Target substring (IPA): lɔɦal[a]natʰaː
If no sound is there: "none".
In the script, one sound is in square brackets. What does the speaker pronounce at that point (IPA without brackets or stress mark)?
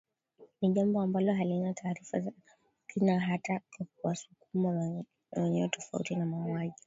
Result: i